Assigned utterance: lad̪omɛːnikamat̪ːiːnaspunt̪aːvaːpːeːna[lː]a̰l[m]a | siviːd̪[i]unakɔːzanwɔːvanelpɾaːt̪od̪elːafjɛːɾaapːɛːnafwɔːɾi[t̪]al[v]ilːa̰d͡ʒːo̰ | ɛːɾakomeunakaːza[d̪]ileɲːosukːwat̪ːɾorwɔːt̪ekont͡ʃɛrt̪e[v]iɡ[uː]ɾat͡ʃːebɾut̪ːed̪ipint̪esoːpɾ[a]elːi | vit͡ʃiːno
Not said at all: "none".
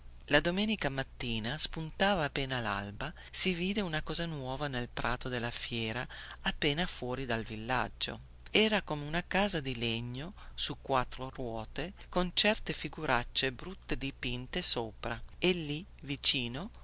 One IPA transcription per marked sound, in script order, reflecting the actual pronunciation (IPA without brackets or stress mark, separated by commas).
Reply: l, b, e, d̪, v, d̪, f, u, a